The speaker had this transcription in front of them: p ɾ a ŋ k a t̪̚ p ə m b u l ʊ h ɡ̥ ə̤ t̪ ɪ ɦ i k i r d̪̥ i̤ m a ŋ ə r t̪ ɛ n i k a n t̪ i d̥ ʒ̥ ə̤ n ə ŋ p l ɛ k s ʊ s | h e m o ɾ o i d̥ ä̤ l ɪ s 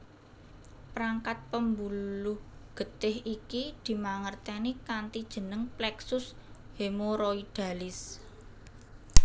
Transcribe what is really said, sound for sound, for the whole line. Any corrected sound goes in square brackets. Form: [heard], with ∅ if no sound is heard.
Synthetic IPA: p ɾ a ŋ k a t̪̚ p ə m b u l ʊ h ɡ̥ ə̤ t̪ ɪ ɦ i k i [∅] d̪̥ i̤ m a ŋ ə r t̪ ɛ n i k a n t̪ i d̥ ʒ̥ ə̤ n ə ŋ p l ɛ k s ʊ s | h e m o ɾ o i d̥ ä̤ l ɪ s